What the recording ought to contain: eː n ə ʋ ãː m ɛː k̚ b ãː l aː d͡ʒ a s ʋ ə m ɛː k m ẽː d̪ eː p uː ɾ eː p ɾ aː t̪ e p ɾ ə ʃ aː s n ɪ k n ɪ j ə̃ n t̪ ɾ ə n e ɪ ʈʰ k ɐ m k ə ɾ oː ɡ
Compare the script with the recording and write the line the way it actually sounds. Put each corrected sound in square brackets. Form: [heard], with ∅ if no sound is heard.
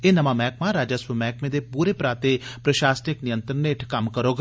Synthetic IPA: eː n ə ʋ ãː m ɛː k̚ [m] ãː [ɾ] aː d͡ʒ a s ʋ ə m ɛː k m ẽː d̪ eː p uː ɾ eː p ɾ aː t̪ e p ɾ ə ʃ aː s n ɪ k n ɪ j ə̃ n t̪ ɾ ə n e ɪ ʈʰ k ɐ m k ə ɾ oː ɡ